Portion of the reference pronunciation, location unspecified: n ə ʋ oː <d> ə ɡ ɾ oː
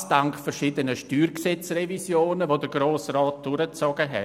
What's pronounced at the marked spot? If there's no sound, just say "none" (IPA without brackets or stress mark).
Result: d